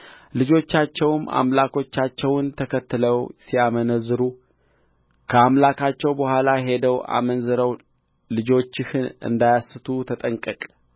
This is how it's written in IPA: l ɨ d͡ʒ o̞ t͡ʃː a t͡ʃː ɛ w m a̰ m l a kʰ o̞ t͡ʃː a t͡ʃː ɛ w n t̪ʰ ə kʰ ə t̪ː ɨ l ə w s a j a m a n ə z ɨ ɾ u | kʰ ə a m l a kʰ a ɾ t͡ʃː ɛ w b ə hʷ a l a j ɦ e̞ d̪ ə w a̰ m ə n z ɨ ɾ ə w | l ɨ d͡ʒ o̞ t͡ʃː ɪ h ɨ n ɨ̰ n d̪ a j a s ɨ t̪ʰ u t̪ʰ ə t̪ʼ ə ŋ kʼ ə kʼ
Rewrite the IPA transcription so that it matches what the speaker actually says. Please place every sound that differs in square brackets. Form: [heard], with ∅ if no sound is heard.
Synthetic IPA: l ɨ d͡ʒ o̞ t͡ʃː a t͡ʃː ɛ w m a̰ m l a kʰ o̞ t͡ʃː a t͡ʃː ɛ w n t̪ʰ ə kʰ ə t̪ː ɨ l ə w s [i] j a m [ə] n ə z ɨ ɾ u | kʰ ə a m l a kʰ a [∅] t͡ʃː ɛ w b ə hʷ a l a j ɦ e̞ d̪ ə w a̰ m ə n z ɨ ɾ ə w | l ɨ d͡ʒ o̞ t͡ʃː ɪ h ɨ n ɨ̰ n d̪ a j a s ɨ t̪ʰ u t̪ʰ ə t̪ʼ ə ŋ kʼ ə kʼ